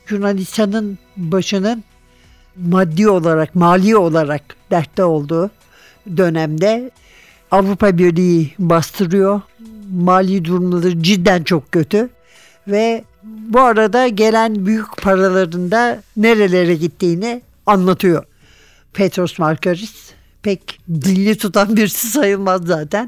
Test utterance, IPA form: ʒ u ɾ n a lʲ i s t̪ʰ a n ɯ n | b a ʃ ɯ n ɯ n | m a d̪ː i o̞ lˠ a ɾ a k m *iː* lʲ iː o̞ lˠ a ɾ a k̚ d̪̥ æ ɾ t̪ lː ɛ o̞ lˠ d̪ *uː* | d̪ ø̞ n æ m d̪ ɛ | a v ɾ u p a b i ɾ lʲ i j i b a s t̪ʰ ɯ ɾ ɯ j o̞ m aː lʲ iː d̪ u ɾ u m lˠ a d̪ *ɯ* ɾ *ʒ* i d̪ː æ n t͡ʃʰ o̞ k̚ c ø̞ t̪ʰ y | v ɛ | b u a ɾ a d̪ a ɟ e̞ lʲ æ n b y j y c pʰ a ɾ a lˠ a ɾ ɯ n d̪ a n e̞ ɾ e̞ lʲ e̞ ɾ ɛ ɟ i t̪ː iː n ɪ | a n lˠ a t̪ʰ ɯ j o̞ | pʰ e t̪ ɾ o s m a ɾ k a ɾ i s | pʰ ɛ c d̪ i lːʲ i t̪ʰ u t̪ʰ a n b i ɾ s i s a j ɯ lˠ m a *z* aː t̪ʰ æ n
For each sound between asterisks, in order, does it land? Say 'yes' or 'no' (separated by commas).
no, yes, yes, no, no